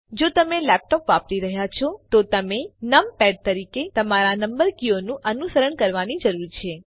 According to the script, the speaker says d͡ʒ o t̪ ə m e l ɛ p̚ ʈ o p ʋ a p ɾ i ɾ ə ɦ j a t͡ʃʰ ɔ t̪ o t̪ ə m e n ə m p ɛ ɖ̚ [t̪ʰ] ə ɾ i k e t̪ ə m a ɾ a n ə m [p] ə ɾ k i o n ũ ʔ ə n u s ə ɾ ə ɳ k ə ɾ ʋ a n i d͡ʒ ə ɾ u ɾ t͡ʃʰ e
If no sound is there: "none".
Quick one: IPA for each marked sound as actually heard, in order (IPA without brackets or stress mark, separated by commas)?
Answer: t̪, b